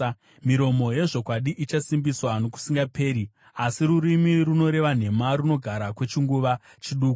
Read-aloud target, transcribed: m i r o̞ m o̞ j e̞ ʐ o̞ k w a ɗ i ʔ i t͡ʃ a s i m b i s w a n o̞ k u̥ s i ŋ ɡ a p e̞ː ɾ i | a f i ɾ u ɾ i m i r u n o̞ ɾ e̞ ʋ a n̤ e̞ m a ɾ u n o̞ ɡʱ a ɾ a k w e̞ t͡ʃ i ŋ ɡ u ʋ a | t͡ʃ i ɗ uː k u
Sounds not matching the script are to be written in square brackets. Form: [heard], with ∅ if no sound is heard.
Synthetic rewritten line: m i [ɾ] o̞ m o̞ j e̞ ʐ o̞ k w a ɗ i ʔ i t͡ʃ a s i m b i s w a n o̞ k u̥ s i ŋ ɡ a p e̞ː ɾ i | a [s] i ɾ u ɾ i m i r u n o̞ ɾ e̞ ʋ a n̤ e̞ m a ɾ u n o̞ ɡʱ a ɾ a k w e̞ t͡ʃ i ŋ ɡ u ʋ a | t͡ʃ i ɗ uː k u